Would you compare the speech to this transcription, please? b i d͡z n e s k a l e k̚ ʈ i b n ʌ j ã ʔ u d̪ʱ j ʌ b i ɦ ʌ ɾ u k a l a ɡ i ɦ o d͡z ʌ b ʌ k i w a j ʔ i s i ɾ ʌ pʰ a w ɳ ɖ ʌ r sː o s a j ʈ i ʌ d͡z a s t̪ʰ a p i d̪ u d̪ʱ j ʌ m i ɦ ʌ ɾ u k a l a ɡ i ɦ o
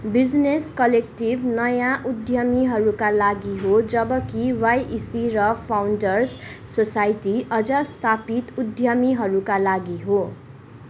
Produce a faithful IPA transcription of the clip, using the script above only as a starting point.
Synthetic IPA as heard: b i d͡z n e s k ʌ l e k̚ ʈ i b n ʌ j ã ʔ u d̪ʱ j ʌ m i ɦ ʌ ɾ u k a l a ɡ i ɦ o d͡z ʌ b ʌ k i w a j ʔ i s i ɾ ʌ pʰ a w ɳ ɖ ʌ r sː o s a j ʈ i ʌ d͡z ʌ s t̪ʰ a p i t̪ u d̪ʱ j ʌ m i ɦ ʌ ɾ u k a l a ɡ i ɦ o

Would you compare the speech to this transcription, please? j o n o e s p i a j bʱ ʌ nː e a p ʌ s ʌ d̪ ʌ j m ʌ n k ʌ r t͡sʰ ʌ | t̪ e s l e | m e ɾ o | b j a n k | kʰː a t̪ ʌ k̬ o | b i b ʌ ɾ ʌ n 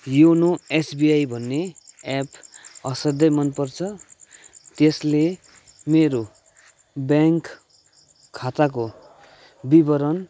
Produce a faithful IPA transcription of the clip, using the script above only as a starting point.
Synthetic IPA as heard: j o n o e s b i a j bʱ ʌ nː e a p ʌ s ʌ d̪ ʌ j m ʌ n p ʌ r t͡sʰ ʌ | t̪ e s l e | m e ɾ o | b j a ŋ k | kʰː a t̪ a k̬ o | b i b ʌ ɾ ʌ n

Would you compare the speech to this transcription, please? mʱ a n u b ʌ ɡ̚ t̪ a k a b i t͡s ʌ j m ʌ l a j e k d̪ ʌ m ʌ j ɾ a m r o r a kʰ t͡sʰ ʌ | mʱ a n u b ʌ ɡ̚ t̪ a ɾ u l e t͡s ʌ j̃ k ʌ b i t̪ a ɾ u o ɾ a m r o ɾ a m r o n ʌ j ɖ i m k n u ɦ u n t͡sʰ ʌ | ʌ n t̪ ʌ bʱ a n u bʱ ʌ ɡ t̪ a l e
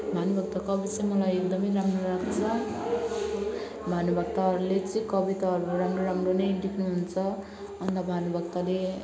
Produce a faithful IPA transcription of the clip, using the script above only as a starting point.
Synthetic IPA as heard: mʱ a n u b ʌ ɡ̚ t̪ a k ʌ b i t͡s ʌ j m ʌ l a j e k d̪ ʌ m ʌ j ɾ a m r o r a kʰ t͡sʰ ʌ | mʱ a n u b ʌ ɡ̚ t̪ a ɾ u l e t͡s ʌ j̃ k ʌ b i t̪ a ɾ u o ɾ a m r o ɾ a m r o n ʌ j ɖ i k n u ɦ u n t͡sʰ ʌ | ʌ n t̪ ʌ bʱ a n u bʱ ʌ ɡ t̪ a l e

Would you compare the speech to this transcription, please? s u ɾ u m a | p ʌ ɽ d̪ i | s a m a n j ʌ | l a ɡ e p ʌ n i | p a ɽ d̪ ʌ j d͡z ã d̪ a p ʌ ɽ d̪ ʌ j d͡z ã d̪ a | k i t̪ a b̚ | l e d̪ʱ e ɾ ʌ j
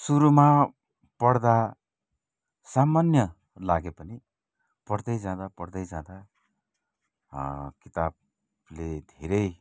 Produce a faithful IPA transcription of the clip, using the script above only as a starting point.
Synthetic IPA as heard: s u ɾ u m a | p ʌ ɽ d̪ a | s a m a n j ʌ | l a ɡ e p ʌ n i | p ʌ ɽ d̪ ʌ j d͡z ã d̪ a p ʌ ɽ d̪ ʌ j d͡z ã d̪ a | k i t̪ a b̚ | l e d̪ʱ e ɾ ʌ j

